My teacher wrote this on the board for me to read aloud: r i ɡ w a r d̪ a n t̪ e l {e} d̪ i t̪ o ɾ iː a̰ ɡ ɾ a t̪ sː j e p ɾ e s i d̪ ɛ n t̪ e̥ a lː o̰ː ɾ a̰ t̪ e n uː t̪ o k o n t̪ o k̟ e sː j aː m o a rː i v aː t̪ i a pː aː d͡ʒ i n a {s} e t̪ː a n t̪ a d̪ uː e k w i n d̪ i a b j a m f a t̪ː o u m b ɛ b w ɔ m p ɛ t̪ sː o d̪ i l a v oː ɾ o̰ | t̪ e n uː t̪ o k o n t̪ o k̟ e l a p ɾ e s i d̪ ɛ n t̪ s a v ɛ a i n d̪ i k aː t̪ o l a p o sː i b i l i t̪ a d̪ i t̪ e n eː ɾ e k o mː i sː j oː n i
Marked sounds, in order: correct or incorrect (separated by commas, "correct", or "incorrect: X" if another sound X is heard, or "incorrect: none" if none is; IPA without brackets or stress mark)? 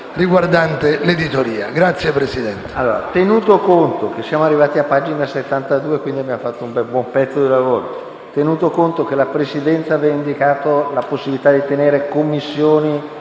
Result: correct, correct